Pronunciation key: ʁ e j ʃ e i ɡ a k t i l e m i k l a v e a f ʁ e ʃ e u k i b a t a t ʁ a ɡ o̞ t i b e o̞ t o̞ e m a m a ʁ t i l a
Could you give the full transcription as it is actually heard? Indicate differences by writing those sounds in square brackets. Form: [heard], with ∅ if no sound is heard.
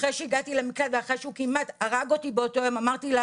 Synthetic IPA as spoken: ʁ e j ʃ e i ɡ a [∅] t i l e m i k l a v e a [χ] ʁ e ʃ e u k i [m] a t a [∅] ʁ a ɡ o̞ t i b e o̞ t o̞ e m a m a ʁ t i l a